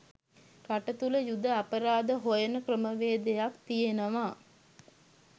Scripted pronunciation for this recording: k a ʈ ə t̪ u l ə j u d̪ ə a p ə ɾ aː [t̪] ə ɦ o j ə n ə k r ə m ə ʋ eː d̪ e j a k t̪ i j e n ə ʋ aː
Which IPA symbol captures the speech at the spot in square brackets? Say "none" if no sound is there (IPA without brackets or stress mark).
d̪